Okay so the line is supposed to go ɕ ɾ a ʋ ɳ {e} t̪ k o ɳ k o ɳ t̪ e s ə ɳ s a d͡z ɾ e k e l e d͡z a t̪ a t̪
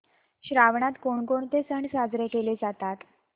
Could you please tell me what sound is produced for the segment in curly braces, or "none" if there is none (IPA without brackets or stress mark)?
a